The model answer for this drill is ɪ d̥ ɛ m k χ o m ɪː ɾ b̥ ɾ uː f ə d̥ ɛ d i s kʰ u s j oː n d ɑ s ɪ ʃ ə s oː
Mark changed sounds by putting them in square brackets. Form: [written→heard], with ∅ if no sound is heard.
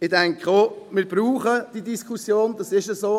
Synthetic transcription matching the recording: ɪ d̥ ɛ [m→ŋ] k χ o m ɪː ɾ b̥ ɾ uː [f→χ] ə d̥ [ɛ→i] d i s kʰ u s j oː n d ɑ s ɪ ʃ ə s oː